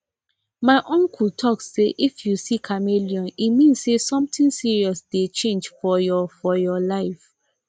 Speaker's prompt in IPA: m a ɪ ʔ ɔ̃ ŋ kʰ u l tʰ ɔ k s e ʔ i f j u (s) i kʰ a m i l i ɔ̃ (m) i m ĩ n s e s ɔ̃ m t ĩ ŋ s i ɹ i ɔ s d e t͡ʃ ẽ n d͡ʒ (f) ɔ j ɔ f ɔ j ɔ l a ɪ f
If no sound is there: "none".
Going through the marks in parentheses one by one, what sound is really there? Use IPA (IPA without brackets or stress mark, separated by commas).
s, n, f